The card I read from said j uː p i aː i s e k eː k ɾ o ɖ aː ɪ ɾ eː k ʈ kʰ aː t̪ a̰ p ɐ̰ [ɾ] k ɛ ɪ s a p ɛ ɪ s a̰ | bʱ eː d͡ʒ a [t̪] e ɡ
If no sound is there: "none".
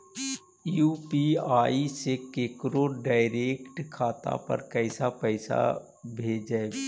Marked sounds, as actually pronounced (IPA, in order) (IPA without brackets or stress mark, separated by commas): ɾ, none